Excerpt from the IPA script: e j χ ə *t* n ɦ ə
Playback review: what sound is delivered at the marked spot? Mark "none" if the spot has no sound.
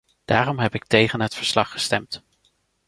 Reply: none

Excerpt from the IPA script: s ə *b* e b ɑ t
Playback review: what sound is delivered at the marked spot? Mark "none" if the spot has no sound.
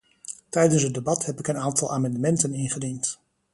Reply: d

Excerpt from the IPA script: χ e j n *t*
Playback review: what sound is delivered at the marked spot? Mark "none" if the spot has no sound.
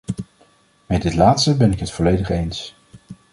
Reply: s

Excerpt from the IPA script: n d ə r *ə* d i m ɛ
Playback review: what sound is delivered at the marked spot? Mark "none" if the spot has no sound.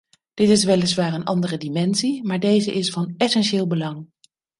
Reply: ə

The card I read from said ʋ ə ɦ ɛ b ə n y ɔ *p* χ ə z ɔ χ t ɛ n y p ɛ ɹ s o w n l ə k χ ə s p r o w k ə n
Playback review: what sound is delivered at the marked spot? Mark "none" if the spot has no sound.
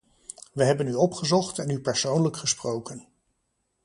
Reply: p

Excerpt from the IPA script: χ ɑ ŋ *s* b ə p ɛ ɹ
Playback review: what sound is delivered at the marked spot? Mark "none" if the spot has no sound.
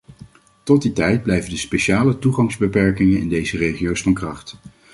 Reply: z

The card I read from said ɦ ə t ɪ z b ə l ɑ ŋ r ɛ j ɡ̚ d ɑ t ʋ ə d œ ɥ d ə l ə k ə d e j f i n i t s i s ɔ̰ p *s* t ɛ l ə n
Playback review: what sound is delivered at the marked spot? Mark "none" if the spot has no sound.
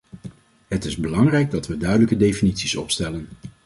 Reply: s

